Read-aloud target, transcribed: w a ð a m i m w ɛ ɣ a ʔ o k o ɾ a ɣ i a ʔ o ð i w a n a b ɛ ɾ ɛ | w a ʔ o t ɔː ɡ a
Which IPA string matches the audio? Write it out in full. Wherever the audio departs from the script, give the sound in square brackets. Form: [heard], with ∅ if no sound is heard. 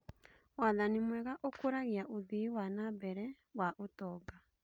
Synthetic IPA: w a ð a [n] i m w ɛ ɣ a ʔ o k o ɾ a ɣ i a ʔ o ð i w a n a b ɛ ɾ ɛ | w a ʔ o t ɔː ɡ a